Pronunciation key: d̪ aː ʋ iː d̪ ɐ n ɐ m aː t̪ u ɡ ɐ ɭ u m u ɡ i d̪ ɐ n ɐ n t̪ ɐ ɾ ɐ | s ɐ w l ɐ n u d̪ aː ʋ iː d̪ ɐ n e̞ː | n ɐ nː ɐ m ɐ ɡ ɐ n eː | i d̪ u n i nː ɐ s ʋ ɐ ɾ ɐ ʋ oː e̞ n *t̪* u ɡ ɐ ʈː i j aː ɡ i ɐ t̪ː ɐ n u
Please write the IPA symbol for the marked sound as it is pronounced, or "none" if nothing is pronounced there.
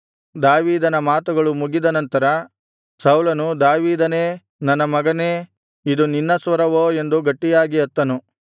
d̪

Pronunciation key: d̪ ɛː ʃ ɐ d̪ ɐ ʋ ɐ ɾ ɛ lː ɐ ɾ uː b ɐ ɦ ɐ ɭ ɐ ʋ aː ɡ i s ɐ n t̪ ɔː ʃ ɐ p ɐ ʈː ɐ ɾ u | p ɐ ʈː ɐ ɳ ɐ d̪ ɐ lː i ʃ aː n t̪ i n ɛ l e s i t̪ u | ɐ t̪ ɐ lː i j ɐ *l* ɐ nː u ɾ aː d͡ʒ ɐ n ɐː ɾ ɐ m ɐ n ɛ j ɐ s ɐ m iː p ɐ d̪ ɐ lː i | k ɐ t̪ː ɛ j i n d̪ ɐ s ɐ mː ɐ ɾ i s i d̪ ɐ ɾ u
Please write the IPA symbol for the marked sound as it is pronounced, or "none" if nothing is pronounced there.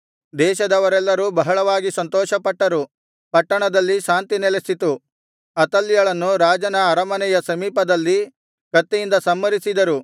ɭ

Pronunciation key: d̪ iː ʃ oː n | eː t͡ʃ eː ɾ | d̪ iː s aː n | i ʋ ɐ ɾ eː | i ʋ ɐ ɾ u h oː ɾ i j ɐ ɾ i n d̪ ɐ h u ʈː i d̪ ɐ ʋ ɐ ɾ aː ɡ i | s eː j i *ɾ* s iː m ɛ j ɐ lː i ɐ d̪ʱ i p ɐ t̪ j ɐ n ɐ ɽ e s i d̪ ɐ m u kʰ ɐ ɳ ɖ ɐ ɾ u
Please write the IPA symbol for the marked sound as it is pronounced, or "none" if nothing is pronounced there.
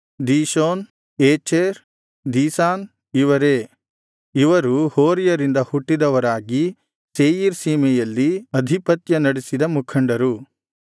ɾ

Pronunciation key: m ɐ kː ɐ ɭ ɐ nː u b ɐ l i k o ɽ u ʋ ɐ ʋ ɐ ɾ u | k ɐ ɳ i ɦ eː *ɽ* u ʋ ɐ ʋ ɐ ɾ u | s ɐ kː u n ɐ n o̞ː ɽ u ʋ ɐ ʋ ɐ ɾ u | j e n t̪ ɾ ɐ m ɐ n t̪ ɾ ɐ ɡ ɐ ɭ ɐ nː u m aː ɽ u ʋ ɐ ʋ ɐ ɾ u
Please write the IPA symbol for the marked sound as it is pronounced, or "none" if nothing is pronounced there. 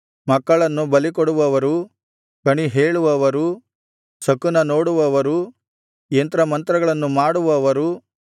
ɭ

